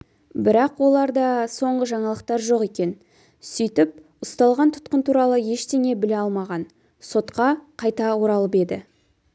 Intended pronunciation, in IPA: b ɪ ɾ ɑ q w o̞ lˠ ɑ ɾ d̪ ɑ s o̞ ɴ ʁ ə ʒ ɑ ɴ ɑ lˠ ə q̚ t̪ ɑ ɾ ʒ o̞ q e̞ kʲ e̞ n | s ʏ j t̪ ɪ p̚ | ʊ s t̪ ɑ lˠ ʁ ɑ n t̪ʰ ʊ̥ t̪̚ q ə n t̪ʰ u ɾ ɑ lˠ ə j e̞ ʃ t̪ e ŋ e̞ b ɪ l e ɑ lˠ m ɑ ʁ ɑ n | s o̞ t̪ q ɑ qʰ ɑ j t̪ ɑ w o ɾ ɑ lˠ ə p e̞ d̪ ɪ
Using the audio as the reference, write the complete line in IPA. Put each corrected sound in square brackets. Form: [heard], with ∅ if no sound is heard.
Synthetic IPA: b ɪ ɾ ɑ q w o̞ lˠ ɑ ɾ d̪ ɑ s o̞ ɴ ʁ ə ʒ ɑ ɴ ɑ lˠ ə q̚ t̪ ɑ ɾ ʒ o̞ q e̞ kʲ e̞ n | s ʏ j t̪ ɪ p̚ | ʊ s t̪ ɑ lˠ ʁ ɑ n t̪ʰ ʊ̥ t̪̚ q ə n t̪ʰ u ɾ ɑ lˠ ə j e̞ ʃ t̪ e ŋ e̞ b ɪ l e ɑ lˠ m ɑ ʁ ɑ n | s o̞ t̪ q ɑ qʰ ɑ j t̪ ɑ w o ɾ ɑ lˠ ə p e̞ d̪ ɪ

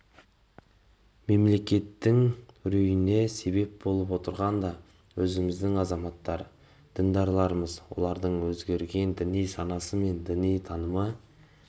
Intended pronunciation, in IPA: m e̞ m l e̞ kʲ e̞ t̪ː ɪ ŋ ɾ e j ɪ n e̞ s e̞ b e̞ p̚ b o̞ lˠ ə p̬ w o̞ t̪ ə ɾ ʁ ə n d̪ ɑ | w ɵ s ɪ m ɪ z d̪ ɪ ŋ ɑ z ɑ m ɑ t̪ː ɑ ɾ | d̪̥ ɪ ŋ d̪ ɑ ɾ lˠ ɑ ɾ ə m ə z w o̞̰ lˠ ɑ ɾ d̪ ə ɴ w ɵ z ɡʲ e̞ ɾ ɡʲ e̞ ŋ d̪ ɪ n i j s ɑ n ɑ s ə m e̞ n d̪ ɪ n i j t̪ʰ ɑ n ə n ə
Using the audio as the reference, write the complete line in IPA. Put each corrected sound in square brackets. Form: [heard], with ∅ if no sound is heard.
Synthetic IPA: m e̞ m l e̞ kʲ e̞ t̪ː ɪ ŋ ɾ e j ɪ n e̞ s e̞ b e̞ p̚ b o̞ lˠ ə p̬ w o̞ t̪ ə ɾ ʁ [ɑ] n d̪ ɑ | w ɵ [z] ɪ m ɪ z d̪ ɪ ŋ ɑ z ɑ m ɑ t̪ː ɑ ɾ | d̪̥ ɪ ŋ d̪ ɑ ɾ lˠ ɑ ɾ ə m ə z w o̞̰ lˠ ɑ ɾ d̪ ə ɴ w ɵ z ɡʲ e̞ ɾ ɡʲ e̞ [n] d̪ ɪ n i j s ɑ n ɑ s ə m e̞ n d̪ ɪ n i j t̪ʰ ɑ n ə [m] ə

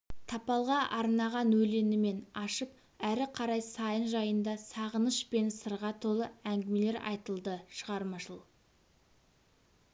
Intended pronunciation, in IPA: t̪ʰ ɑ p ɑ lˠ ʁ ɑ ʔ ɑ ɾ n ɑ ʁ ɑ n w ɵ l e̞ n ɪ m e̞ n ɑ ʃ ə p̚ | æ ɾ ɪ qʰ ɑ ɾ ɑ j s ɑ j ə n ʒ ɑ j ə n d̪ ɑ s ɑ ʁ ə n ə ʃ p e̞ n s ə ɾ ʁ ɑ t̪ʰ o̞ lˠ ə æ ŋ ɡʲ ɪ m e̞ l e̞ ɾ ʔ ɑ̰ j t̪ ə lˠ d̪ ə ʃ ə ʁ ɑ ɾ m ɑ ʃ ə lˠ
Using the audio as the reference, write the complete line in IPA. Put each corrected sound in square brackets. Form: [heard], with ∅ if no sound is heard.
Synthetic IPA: t̪ʰ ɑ p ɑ lˠ ʁ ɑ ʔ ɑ ɾ n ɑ ʁ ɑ n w ɵ l e̞ n ɪ m e̞ n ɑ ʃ ə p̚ | æ ɾ ɪ qʰ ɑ ɾ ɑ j s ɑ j ə n ʒ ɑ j ə n d̪ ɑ s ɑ ʁ ə n ə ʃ p e̞ n s ə ɾ ʁ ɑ t̪ʰ o̞ lˠ ə æ ŋ ɡʲ ɪ m e̞ l e̞ ɾ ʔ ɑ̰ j t̪ ə lˠ d̪ ə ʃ ə ʁ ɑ ɾ m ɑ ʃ ə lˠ

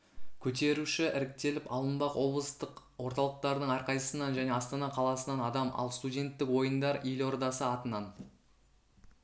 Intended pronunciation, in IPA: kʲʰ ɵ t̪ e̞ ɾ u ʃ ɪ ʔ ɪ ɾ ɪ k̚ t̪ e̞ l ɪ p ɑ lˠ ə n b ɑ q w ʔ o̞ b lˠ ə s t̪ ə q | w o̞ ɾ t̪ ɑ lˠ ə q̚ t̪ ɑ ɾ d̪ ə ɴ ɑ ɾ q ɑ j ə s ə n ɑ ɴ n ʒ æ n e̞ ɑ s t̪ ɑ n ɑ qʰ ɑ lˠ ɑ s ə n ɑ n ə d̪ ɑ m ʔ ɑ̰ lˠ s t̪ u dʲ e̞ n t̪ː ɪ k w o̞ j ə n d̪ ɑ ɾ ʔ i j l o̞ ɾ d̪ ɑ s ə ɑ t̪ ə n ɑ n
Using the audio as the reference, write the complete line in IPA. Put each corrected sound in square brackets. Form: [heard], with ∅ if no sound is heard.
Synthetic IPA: kʲʰ ɵ t̪ e̞ ɾ u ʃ ɪ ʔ ɪ ɾ ɪ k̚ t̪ e̞ l ɪ p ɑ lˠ ə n b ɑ q w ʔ o̞ b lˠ ə s t̪ ə q | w o̞ ɾ t̪ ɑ lˠ ə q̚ t̪ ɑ ɾ d̪ ə ɴ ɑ ɾ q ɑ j ə s ə n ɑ [∅] n ʒ æ n e̞ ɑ s t̪ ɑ n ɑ qʰ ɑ lˠ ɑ s ə n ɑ n [ɑ] d̪ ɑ m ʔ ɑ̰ lˠ s t̪ u dʲ e̞ n t̪ː ɪ k w o̞ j ə n d̪ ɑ ɾ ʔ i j l o̞ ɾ d̪ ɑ s ə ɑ t̪ ə n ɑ n

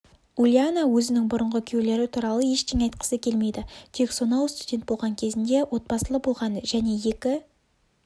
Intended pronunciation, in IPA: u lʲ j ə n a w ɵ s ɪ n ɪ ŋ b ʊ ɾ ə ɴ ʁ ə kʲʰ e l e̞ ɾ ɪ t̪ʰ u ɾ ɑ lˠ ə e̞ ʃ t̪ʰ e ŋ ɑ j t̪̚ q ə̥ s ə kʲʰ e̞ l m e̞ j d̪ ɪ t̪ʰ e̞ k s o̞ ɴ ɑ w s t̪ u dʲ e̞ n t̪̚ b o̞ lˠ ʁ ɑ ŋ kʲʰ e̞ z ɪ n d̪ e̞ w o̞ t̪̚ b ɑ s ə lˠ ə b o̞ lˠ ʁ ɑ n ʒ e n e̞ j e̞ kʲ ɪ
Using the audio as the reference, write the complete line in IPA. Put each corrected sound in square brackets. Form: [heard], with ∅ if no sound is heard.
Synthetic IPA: u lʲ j [a] n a w ɵ [z] ɪ n ɪ ŋ b ʊ ɾ ə ɴ ʁ ə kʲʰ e l e̞ ɾ ɪ t̪ʰ u ɾ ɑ lˠ ə e̞ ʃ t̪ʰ e ŋ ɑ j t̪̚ q ə̥ s ə kʲʰ e̞ l m e̞ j d̪ ɪ t̪ʰ e̞ k s o̞ [n] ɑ w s t̪ u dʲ e̞ n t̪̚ b o̞ lˠ ʁ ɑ ŋ kʲʰ e̞ z ɪ n d̪ e̞ w o̞ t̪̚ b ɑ s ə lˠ ə b o̞ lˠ ʁ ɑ n ʒ [æ] n e̞ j e̞ kʲ ɪ

